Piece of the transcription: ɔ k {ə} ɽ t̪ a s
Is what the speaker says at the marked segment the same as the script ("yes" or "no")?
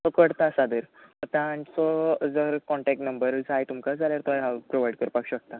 yes